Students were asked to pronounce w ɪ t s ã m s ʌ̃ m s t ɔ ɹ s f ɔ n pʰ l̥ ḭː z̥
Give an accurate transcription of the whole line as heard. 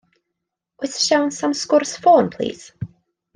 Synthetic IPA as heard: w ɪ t ʃ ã n s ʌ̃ m s k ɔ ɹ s f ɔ n pʰ l̥ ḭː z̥